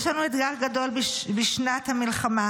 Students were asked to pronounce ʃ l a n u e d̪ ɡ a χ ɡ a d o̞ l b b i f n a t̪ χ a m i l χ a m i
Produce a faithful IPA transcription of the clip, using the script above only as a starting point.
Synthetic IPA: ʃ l a n u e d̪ ɡ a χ ɡ a d o̞ l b b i ʃ n a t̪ h a m i l χ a m a